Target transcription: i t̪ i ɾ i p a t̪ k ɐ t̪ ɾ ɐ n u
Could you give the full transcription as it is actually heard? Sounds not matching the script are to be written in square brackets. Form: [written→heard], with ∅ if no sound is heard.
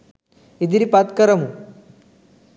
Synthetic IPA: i [t̪→d̪] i ɾ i p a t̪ k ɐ [t̪→∅] ɾ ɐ [n→m] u